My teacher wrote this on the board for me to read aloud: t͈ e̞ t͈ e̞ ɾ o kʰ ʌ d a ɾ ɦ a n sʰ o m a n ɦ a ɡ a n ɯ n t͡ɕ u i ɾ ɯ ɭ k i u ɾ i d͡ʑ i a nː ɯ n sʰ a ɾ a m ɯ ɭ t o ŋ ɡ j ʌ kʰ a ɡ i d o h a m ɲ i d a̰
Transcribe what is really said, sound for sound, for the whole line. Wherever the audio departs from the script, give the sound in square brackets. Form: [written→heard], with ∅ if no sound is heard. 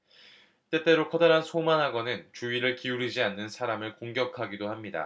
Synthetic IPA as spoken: t͈ e̞ t͈ e̞ ɾ o kʰ ʌ d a ɾ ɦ a n sʰ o m a n ɦ a ɡ [a→ʌ] n ɯ n t͡ɕ u i ɾ ɯ ɭ k i u ɾ i d͡ʑ i a nː ɯ n sʰ a ɾ a m ɯ ɭ [t→k] o ŋ ɡ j ʌ kʰ a ɡ i d o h a m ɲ i d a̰